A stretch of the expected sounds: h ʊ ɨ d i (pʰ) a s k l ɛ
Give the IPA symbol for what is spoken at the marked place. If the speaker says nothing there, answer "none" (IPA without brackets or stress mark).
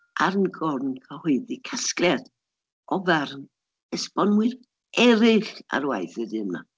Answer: kʰ